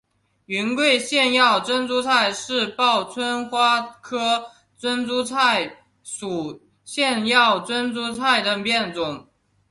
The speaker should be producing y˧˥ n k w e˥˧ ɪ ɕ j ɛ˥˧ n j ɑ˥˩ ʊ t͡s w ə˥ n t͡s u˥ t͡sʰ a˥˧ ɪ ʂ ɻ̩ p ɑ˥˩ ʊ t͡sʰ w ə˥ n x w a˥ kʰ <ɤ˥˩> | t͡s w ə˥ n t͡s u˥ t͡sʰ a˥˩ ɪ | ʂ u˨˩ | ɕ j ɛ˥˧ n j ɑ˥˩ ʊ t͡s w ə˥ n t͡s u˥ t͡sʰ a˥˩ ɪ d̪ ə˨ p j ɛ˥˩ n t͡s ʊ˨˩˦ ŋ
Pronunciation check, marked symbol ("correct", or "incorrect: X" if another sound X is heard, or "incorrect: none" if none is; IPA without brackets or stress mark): incorrect: ɤ˥